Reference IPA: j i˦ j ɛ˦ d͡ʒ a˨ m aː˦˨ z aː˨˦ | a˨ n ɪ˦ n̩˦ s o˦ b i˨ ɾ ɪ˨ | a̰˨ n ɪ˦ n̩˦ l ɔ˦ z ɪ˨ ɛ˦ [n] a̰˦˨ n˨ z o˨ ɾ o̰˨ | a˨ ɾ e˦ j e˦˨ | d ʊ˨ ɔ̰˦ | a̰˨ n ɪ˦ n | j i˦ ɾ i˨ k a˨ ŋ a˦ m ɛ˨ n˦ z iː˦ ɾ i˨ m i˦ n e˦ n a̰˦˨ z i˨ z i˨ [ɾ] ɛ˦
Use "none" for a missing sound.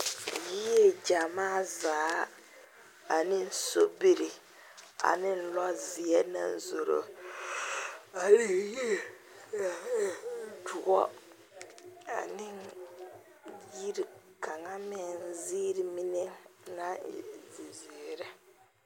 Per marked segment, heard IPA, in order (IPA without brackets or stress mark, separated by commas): n, ɾ